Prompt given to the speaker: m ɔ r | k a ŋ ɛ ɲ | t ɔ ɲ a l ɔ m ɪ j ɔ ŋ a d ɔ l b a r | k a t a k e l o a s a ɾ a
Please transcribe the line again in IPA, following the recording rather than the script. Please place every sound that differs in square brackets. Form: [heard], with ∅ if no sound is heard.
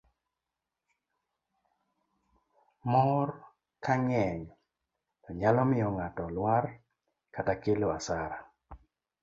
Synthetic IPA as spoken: m ɔ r | k a ŋ ɛ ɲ | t ɔ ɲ a l ɔ m ɪ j ɔ ŋ a [t] ɔ l [w] a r | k a t a k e l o a s a ɾ a